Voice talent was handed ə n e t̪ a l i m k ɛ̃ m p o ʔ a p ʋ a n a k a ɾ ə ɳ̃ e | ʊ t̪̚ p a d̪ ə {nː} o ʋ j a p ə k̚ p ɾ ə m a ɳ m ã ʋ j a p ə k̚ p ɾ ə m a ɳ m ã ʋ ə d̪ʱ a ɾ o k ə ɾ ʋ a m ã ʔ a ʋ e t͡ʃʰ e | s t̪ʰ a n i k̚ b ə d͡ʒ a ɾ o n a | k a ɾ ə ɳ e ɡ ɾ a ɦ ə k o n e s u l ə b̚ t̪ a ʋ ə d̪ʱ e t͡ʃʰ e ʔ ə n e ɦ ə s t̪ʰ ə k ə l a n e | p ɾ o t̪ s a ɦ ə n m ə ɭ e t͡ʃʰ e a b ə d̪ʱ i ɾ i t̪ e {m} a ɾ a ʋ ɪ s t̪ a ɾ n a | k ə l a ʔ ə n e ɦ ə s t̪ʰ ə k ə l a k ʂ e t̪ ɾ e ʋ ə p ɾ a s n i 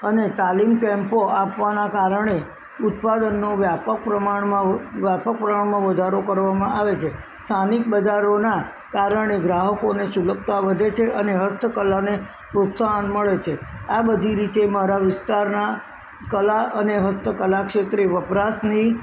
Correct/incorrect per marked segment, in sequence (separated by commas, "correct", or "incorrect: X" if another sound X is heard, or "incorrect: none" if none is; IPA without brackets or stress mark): correct, correct